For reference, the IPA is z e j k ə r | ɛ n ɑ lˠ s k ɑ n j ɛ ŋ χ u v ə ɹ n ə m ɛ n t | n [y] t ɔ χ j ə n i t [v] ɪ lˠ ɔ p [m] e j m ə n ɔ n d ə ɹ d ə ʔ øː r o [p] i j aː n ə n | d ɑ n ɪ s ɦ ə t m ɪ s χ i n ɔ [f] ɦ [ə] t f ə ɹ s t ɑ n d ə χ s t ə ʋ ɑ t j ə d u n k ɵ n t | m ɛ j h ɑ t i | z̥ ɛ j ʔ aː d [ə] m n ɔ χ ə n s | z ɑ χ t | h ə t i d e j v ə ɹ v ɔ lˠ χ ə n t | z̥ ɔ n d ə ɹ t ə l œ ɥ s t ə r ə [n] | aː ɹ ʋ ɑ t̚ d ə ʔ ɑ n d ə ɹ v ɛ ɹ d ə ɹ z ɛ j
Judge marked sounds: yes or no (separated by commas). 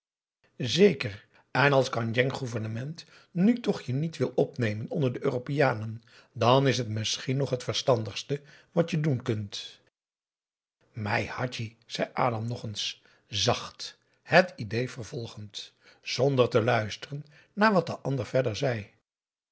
yes, no, no, yes, no, yes, no, no